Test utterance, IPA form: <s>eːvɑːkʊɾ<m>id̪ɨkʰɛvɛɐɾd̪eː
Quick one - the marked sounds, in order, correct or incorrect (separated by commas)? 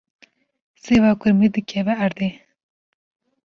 correct, correct